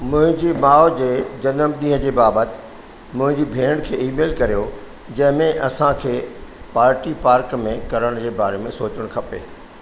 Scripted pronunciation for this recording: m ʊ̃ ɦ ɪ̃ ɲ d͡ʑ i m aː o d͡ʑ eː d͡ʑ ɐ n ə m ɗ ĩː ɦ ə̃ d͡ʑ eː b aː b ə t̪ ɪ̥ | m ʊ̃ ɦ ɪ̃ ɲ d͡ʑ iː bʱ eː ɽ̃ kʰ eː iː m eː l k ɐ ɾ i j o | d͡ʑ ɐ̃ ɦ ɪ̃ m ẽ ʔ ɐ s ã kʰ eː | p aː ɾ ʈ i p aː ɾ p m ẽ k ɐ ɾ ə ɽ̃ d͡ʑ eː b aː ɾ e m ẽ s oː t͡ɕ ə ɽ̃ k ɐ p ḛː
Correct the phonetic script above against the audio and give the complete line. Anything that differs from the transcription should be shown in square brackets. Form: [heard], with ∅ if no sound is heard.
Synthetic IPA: m ʊ̃ ɦ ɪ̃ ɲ d͡ʑ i m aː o d͡ʑ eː d͡ʑ ɐ n ə m ɗ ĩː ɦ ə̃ d͡ʑ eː b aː b ə t̪ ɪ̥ | m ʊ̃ ɦ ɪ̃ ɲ d͡ʑ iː bʱ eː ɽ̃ kʰ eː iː m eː l k ɐ ɾ i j o | d͡ʑ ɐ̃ ɦ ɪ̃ m ẽ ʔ ɐ s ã kʰ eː | p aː ɾ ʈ i p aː ɾ [k] m ẽ k ɐ ɾ ə ɽ̃ d͡ʑ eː b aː ɾ e m ẽ s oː t͡ɕ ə ɽ̃ [kʰ] ɐ p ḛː